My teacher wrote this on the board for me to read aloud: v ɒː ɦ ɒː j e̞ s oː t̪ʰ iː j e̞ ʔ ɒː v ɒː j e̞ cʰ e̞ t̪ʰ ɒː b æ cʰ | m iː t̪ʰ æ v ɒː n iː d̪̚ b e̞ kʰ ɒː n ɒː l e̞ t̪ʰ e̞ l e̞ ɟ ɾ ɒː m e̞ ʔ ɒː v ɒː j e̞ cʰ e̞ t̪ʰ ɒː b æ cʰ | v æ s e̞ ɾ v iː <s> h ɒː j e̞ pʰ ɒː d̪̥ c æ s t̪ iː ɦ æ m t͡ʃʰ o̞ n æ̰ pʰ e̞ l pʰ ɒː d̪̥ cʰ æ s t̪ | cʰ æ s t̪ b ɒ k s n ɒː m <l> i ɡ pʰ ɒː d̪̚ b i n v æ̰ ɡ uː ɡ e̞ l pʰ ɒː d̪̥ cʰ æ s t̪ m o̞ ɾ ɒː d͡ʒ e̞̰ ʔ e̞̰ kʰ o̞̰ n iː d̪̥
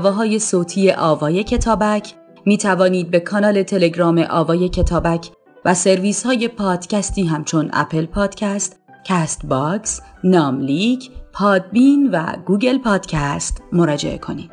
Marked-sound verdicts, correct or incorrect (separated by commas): correct, correct